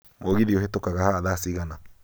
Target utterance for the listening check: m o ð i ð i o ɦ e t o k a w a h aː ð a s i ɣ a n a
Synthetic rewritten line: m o ɣ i ð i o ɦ e t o k a ɣ a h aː ð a s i ɣ a n a